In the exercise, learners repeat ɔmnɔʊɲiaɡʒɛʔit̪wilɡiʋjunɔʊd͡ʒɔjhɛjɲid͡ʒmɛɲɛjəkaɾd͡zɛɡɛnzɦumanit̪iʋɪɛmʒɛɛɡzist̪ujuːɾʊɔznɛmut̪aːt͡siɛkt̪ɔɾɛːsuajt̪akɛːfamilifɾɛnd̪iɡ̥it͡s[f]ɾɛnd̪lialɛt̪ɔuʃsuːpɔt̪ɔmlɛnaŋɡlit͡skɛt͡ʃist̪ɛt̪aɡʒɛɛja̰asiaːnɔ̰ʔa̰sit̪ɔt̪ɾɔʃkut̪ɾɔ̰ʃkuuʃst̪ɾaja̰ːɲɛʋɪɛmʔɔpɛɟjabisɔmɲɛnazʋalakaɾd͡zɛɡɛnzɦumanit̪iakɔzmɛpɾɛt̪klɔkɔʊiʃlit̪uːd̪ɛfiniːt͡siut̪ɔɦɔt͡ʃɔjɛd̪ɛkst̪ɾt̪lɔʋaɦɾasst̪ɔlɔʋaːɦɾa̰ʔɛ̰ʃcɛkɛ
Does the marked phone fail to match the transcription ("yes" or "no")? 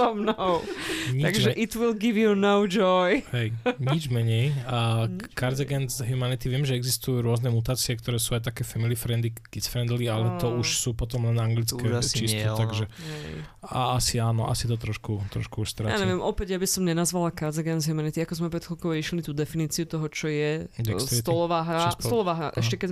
no